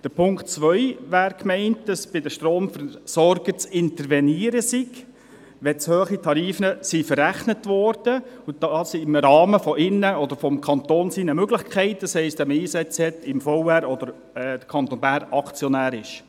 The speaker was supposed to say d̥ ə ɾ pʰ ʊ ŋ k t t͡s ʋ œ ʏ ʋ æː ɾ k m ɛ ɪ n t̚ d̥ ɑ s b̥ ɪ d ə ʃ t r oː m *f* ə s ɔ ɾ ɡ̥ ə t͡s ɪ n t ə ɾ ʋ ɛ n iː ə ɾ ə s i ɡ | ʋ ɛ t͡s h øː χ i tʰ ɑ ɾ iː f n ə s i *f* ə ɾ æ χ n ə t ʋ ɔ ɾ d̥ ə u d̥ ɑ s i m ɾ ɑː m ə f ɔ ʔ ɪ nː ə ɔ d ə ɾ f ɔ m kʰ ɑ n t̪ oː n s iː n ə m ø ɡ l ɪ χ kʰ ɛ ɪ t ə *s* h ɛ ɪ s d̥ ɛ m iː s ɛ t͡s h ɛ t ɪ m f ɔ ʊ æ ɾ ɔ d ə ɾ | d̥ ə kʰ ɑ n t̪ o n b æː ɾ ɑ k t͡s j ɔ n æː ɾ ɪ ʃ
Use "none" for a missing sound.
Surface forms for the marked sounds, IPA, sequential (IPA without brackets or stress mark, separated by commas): f, f, s